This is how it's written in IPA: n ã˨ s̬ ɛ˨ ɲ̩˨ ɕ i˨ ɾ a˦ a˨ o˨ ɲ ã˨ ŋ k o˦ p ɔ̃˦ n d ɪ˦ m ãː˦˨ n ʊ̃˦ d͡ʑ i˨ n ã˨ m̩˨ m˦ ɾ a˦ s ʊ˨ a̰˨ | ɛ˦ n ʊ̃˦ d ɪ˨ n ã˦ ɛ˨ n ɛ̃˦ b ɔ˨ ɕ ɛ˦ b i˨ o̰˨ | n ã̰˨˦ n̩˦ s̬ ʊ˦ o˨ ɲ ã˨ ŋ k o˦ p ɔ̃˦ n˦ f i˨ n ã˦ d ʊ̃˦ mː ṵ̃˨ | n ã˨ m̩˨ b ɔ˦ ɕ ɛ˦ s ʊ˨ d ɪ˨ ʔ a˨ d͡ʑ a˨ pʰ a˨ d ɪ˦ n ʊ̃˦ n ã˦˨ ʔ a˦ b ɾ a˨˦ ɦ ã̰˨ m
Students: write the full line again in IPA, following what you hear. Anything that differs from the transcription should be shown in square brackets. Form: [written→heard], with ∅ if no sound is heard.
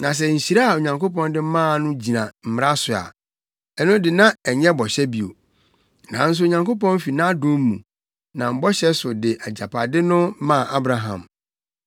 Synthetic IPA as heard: n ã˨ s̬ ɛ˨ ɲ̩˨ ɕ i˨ ɾ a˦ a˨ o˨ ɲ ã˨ ŋ k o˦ p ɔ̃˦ n d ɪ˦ m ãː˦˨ n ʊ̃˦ d͡ʑ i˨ n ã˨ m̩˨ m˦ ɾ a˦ s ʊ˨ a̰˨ | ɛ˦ n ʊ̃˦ d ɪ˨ n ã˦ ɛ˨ [n→ɲ] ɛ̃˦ b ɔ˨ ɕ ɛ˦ b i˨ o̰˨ | n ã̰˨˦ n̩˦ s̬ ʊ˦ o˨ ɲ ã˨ ŋ k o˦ p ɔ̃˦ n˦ f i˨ n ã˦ d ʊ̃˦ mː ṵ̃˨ | n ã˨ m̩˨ b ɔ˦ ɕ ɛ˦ s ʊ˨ d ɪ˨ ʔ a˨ d͡ʑ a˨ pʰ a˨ d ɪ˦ n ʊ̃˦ [n→m] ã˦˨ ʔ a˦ b ɾ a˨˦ ɦ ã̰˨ m